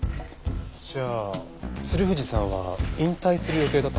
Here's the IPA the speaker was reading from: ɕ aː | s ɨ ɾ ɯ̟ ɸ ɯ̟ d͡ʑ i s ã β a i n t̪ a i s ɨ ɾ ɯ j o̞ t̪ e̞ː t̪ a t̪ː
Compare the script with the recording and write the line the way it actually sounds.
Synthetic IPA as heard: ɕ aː | s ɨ ɾ ɯ̟ ɸ ɯ̟ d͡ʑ i s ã β a ĩ n t̪ a i s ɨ ɾ ɯ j o̞ t̪ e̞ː d̪ a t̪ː